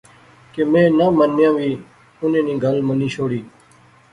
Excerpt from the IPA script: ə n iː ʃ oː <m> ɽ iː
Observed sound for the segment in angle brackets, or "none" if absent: none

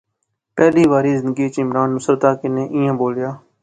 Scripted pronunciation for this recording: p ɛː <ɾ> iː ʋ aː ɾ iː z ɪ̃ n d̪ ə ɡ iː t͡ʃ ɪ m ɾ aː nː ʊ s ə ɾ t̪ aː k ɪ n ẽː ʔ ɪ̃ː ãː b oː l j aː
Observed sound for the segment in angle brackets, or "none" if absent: l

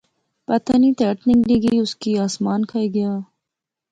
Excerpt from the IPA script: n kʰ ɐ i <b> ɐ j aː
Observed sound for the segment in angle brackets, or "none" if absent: ɡ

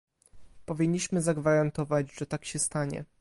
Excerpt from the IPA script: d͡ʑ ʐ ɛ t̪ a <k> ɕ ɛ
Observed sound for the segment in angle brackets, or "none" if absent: k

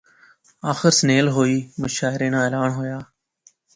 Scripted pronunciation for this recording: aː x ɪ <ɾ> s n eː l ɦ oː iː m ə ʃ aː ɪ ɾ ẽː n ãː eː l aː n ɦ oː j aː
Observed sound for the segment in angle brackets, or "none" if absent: ɾ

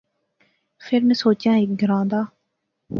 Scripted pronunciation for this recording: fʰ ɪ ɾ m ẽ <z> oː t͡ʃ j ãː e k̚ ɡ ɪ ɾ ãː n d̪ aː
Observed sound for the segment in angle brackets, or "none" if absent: s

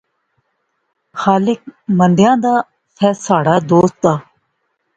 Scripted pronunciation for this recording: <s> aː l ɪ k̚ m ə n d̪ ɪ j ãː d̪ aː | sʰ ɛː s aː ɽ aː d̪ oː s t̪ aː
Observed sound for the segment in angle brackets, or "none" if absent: x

